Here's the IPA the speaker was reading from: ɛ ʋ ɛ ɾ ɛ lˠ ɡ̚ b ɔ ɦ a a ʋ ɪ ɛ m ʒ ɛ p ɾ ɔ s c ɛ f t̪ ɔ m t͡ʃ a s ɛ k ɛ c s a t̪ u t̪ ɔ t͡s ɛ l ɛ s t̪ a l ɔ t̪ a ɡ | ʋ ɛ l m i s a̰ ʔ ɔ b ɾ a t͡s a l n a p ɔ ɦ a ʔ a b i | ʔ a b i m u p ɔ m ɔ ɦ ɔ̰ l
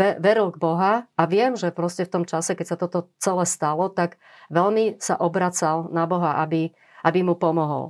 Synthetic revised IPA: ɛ ʋ ɛ ɾ i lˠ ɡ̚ b ɔ ɦ a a ʋ ɪ ɛ m ʒ ɛ p ɾ ɔ s c ɛ f t̪ ɔ m t͡ʃ a s ɛ k ɛ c s a t̪ ɔ t̪ ɔ t͡s ɛ l ɛ s t̪ a l ɔ t̪ a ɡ | ʋ ɛ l m i s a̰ ʔ ɔ b ɾ a t͡s a l n a b ɔ ɦ a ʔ a b i | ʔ a b i m u p ɔ m ɔ ɦ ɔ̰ l